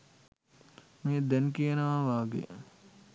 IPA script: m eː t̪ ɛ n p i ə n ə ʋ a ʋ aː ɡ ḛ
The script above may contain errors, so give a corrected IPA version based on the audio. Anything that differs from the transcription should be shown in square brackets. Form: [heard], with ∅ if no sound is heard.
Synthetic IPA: m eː [d̪] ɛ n [k] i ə n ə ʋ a ʋ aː ɡ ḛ